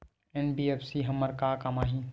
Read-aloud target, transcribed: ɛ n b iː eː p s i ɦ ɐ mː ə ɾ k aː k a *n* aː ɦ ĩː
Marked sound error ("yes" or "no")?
yes